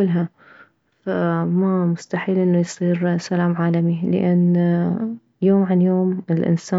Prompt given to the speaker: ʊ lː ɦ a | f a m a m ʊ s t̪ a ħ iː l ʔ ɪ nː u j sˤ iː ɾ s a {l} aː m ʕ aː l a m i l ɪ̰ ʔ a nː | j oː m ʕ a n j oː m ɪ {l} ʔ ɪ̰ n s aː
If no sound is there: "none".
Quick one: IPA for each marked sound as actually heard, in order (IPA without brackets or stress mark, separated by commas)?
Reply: l, l